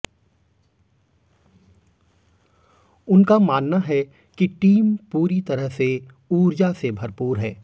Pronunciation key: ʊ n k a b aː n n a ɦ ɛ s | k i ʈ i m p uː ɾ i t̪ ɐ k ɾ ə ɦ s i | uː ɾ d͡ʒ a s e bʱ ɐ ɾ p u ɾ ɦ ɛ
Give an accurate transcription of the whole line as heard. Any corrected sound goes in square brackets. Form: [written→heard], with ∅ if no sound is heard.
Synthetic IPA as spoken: ʊ n k a [b→m] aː n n a ɦ ɛ [s→∅] | k i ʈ [i→iː] m p uː ɾ i t̪ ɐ [k→∅] ɾ ə ɦ s [i→e] | uː ɾ d͡ʒ a s e bʱ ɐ ɾ p [u→uː] ɾ ɦ [ɛ→ɛː]